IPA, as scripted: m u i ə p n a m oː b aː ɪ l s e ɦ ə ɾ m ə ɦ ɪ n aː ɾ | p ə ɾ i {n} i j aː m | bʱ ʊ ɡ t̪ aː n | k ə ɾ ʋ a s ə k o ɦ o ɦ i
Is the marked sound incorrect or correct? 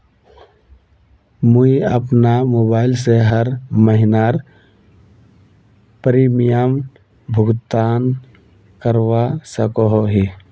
incorrect